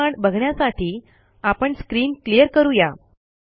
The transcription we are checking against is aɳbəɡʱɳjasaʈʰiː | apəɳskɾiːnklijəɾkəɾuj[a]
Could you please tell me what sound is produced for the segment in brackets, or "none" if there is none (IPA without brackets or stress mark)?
a